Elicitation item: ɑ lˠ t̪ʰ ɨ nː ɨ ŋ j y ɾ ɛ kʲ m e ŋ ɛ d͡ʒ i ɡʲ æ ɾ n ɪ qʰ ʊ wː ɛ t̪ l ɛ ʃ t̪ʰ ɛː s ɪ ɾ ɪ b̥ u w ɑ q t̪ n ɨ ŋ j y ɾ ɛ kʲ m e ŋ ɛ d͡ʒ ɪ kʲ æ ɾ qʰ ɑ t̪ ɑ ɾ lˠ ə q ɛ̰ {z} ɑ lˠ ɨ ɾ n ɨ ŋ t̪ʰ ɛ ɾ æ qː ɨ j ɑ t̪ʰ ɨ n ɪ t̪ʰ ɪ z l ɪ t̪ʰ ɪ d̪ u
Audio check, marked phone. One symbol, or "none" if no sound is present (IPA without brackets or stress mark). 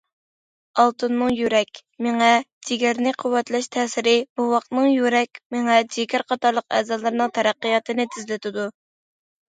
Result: z